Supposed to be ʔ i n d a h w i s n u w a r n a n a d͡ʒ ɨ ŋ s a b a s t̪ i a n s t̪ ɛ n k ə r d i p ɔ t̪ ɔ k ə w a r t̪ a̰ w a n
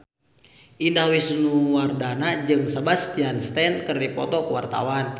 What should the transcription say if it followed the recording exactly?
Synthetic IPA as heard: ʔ i n d a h w i s n u w a r d a n a d͡ʒ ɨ ŋ s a b a s t̪ i a n s t̪ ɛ n k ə r d i p ɔ t̪ ɔ k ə w a r t̪ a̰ w a n